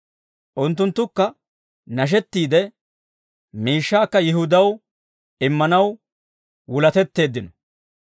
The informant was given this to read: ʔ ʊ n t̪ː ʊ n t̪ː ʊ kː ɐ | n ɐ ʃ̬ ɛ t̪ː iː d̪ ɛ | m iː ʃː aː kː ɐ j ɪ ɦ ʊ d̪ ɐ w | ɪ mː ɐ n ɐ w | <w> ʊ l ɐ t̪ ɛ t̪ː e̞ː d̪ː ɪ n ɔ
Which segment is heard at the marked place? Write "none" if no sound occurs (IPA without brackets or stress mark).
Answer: w